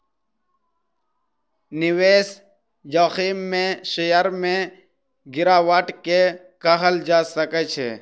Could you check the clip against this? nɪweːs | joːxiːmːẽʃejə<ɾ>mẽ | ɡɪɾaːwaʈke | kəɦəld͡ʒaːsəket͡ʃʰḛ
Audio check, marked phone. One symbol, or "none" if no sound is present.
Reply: ɾ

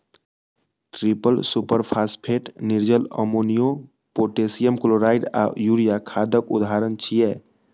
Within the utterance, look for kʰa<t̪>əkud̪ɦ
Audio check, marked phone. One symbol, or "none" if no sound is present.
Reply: d̪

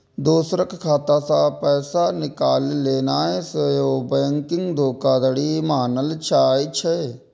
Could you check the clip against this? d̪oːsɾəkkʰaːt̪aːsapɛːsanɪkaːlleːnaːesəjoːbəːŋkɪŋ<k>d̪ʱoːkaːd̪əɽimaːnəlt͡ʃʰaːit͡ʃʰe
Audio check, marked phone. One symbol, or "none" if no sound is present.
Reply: ɡ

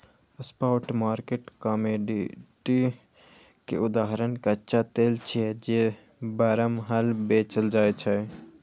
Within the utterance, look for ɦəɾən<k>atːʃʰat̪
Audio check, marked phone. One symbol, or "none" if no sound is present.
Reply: k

